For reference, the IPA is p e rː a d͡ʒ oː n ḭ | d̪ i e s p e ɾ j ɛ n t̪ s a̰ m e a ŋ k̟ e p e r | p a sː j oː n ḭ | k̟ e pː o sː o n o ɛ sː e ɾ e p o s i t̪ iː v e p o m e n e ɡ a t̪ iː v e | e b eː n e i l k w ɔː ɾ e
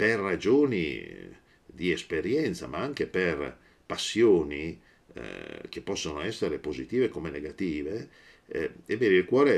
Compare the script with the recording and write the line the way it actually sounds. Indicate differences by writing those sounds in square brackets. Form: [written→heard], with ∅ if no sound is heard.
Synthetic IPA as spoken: p e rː a d͡ʒ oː n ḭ | d̪ i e s p e ɾ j ɛ n t̪ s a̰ m [e→a] a ŋ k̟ e p e r | p a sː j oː n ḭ | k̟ e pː [o→ɔ] sː o n o ɛ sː e ɾ e p o [s→z] i t̪ iː v e [p→k] o m e n e ɡ a t̪ iː v e | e b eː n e i l k w ɔː ɾ e